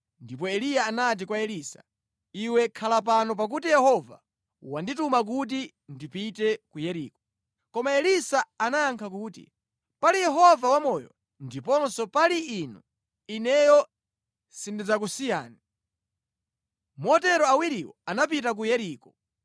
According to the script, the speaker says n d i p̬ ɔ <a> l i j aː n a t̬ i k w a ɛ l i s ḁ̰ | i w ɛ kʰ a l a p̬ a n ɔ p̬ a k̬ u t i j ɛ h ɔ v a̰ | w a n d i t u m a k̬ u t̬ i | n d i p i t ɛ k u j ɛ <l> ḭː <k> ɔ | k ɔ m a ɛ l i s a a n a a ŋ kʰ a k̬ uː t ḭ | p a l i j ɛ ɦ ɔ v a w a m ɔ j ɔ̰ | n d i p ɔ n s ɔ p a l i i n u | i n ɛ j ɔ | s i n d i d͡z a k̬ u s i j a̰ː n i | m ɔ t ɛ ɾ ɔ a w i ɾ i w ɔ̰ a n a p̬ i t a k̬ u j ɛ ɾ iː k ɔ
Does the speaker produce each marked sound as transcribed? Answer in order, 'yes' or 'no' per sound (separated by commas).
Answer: no, no, yes